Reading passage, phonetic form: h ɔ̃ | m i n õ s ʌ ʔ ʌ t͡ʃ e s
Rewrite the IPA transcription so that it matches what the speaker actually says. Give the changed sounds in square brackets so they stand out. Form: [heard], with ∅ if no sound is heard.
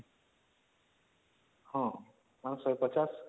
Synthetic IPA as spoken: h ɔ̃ | m [a] n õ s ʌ [p] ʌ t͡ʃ [a] s